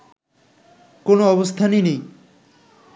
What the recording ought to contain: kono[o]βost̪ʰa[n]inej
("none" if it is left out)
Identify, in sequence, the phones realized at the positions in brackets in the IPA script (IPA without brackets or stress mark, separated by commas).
ɔ, n